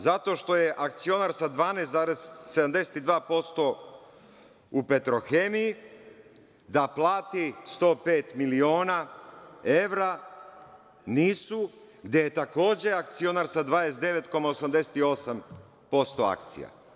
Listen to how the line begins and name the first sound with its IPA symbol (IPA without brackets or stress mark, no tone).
z